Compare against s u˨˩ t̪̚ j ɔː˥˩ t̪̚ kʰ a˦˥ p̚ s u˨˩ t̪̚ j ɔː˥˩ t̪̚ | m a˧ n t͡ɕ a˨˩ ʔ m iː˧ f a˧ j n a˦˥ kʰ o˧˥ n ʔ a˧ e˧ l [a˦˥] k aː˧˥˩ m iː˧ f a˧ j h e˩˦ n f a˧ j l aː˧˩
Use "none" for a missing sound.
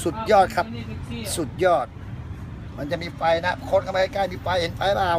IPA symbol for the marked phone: i˦˥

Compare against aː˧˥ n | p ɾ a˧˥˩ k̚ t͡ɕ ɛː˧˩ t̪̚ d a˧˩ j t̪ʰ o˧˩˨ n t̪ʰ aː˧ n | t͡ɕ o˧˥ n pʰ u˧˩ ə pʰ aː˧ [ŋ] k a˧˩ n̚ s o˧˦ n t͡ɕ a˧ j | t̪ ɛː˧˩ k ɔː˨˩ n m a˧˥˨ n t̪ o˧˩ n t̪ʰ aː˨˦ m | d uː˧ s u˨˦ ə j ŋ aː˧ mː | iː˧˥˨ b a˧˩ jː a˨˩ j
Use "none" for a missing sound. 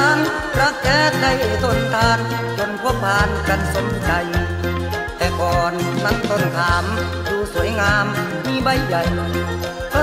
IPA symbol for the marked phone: n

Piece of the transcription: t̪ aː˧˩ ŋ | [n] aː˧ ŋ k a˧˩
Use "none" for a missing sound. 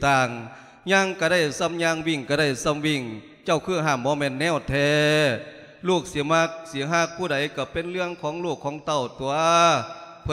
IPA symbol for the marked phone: ɲ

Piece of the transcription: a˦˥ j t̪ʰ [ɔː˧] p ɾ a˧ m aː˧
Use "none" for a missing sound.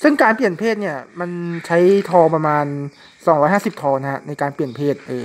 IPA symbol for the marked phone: ɔː˧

